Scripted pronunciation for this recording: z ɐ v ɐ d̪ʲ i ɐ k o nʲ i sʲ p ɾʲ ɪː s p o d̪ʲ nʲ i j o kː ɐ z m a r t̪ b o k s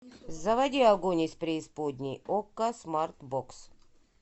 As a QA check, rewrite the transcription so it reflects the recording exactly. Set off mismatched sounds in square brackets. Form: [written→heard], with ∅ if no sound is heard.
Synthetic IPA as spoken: z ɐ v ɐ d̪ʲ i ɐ [k→ɡ] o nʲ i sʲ p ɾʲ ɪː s p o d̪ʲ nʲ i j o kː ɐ [z→s] m a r t̪ b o k s